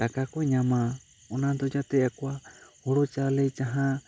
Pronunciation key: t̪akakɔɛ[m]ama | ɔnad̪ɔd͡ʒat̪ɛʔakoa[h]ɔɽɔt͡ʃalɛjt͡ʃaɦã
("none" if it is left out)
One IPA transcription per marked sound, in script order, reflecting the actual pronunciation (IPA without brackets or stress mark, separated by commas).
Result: ɲ, h